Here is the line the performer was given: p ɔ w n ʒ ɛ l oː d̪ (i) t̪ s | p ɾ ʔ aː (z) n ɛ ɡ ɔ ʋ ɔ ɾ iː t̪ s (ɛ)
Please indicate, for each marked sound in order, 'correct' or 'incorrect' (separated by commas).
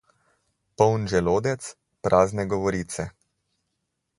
incorrect, correct, correct